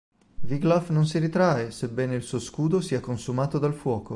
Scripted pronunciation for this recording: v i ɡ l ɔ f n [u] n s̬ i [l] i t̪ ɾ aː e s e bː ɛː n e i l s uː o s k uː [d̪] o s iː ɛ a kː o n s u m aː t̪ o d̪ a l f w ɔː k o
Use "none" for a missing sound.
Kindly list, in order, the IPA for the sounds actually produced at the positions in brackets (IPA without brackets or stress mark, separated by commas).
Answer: o, ɾ, d̪